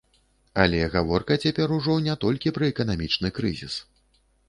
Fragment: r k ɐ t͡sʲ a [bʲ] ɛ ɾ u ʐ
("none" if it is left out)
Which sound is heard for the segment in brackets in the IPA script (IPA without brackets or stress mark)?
pʲ